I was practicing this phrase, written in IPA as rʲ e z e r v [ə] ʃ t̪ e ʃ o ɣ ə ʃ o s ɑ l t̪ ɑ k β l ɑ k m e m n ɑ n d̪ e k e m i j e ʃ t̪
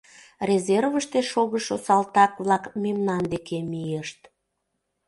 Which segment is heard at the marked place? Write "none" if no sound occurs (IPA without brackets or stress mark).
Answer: ə